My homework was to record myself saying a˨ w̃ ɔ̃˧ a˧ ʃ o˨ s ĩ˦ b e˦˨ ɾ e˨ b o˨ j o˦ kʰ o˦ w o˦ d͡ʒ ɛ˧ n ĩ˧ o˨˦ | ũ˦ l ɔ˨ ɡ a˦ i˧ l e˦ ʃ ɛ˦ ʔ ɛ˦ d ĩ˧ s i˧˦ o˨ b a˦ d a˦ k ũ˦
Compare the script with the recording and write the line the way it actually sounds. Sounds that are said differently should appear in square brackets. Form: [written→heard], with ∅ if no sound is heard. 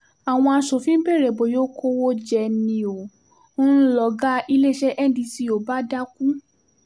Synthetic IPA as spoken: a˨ w̃ ɔ̃˧ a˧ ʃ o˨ [s→f] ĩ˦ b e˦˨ ɾ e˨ b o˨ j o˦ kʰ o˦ w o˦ d͡ʒ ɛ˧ n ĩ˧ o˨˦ | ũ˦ l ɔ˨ ɡ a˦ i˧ l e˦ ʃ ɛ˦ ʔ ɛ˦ d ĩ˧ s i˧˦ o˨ b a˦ d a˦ k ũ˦